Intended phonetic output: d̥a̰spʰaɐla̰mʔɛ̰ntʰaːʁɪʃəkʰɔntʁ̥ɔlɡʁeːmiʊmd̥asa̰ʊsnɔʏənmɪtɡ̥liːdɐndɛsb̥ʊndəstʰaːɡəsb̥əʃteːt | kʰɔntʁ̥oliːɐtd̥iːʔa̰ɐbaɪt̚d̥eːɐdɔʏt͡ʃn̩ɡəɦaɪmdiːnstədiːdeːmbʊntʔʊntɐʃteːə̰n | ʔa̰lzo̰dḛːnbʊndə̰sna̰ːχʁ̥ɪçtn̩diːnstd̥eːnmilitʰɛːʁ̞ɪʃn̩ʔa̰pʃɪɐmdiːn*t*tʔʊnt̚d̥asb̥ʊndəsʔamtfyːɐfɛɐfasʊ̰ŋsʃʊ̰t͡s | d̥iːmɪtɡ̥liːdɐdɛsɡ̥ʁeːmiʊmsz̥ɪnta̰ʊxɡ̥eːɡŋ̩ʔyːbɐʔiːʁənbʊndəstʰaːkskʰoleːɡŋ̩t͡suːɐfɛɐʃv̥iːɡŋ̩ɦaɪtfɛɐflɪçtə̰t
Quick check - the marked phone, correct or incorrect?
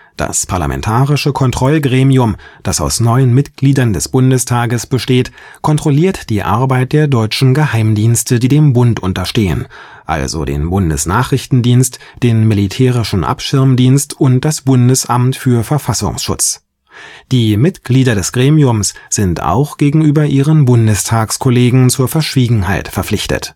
incorrect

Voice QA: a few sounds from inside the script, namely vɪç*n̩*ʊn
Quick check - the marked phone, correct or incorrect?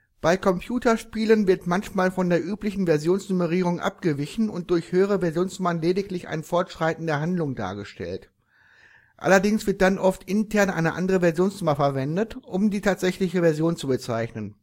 correct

